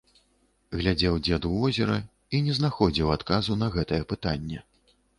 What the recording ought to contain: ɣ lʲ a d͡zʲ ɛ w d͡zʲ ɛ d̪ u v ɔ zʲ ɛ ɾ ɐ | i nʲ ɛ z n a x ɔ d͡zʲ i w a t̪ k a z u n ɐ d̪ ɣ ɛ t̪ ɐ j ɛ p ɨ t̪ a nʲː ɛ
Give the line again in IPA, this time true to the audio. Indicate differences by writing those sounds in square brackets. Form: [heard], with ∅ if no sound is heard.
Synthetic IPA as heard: ɣ lʲ a d͡zʲ ɛ w d͡zʲ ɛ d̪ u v ɔ zʲ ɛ ɾ ɐ | i nʲ ɛ z n a x ɔ d͡zʲ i w a t̪ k a z u n ɐ [∅] ɣ ɛ t̪ ɐ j ɛ p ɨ t̪ a nʲː ɛ